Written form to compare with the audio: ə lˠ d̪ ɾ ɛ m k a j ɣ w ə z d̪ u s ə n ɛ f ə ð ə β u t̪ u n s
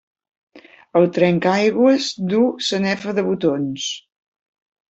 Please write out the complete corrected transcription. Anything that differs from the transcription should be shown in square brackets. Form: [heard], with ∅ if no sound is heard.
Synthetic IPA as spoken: ə lˠ [t̪] ɾ ɛ [ŋ] k a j ɣ w ə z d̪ u s ə n ɛ f ə ð ə β u t̪ [o] n s